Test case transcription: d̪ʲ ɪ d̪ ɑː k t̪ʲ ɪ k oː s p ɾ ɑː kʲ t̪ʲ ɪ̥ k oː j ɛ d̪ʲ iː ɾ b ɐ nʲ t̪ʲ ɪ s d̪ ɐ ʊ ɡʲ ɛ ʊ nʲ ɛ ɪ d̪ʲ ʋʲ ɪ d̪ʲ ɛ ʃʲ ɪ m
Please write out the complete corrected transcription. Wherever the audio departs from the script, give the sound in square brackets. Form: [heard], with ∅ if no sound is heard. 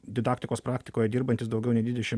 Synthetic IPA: d̪ʲ ɪ d̪ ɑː k t̪ʲ ɪ k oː s p ɾ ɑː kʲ t̪ʲ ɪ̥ k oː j ɛ d̪ʲ iː ɾ b ɐ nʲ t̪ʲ ɪ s d̪ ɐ ʊ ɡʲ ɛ ʊ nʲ ɛ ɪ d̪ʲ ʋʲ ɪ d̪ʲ ɛ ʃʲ ɪ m